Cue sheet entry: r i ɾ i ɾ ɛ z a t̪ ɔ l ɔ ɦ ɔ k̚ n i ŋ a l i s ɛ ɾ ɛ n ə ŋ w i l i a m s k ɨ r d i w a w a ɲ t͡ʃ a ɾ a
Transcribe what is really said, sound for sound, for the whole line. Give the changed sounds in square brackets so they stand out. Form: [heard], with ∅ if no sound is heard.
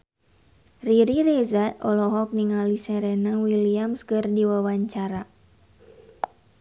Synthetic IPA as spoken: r i ɾ i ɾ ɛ z a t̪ ɔ l ɔ ɦ ɔ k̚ n i ŋ a l i s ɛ ɾ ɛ n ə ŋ w i l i a m s k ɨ r d i w a w a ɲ t͡ʃ a ɾ a